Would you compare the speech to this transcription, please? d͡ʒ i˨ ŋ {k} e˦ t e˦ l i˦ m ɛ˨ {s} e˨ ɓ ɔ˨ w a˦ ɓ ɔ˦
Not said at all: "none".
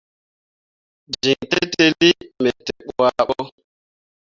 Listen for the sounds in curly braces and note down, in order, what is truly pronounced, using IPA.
t, t

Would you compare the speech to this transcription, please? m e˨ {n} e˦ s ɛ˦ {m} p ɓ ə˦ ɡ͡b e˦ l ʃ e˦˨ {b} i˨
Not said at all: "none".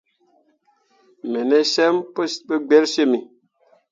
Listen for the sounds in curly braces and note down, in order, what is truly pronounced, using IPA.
n, m, m

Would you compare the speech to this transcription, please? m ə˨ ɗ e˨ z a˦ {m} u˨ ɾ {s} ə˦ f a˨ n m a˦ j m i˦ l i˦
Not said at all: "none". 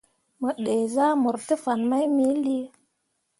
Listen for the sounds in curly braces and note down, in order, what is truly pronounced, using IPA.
m, t

